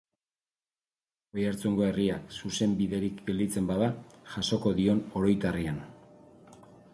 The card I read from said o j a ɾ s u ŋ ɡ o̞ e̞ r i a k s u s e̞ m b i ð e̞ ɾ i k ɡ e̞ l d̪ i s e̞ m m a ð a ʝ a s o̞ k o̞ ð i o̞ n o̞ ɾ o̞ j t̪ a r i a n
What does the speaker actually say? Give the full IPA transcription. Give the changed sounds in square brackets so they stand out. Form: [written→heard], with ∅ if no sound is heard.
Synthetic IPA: o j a ɾ [s→t͡s] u ŋ ɡ o̞ e̞ r i a k s u s e̞ m b i ð e̞ ɾ i k ɡ e̞ l d̪ i [s→t͡s] e̞ m [m→b] a ð a ʝ a s o̞ k o̞ ð i o̞ n o̞ ɾ o̞ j t̪ a r i a n